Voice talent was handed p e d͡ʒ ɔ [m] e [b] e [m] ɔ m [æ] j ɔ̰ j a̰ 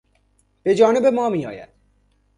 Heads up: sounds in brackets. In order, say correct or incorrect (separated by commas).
incorrect, correct, correct, incorrect